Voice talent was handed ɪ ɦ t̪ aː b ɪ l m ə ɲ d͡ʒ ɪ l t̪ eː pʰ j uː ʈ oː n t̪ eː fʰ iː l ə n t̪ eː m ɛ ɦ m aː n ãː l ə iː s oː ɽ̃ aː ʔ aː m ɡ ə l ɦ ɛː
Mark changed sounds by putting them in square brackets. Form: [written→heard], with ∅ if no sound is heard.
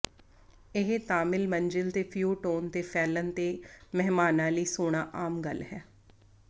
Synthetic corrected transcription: ɪ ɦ t̪ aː [b→m] ɪ l m ə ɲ d͡ʒ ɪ l t̪ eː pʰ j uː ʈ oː n t̪ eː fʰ [iː→ɛː] l ə n t̪ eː m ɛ ɦ m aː n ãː l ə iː s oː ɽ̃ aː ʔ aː m ɡ ə l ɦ ɛː